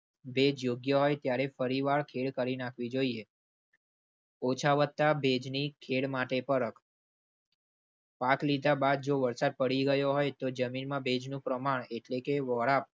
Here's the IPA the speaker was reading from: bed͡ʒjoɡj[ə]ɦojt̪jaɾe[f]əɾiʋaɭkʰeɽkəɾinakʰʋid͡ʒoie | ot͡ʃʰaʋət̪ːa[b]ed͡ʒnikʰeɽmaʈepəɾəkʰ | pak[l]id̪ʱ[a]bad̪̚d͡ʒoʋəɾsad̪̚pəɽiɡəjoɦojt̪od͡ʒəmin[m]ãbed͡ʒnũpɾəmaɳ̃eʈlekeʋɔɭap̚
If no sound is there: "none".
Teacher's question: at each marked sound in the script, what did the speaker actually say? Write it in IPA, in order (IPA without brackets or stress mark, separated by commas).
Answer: ə, f, b, l, a, m